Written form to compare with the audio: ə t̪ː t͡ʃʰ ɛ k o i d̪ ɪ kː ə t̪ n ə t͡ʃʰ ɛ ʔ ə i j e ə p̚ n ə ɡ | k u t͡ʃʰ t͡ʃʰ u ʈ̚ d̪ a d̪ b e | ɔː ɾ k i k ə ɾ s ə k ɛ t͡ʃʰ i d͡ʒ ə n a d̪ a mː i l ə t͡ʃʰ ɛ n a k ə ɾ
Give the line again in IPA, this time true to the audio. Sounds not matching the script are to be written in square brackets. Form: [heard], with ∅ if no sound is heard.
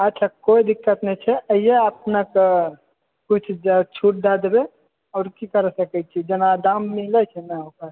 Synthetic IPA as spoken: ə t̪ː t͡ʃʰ [a] k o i d̪ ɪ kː ə t̪ n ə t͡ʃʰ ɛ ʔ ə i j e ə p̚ n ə [k] | k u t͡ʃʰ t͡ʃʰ u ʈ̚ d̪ a d̪ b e | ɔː ɾ k i k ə ɾ s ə k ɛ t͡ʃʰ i d͡ʒ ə n a d̪ a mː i l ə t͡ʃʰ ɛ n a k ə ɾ